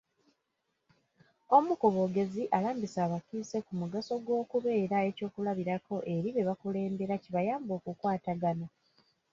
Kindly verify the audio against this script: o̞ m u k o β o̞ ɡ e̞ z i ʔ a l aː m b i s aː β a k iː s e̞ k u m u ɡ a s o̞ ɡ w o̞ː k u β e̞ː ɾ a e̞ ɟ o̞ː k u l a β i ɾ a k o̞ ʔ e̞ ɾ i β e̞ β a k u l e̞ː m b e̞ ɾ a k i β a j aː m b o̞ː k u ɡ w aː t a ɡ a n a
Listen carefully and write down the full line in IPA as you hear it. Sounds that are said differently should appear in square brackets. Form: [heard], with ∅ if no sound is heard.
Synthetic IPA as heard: o̞ m u k o β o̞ ɡ e̞ z i ʔ a l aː m b i s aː β a k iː s e̞ k u m u ɡ a s o̞ ɡ w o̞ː k u β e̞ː ɾ a e̞ [c] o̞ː k u l a β i ɾ a k o̞ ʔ e̞ ɾ i β e̞ β a k u l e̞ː m b e̞ ɾ a [c] i β a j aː m b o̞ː k u [k] w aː t a ɡ a n a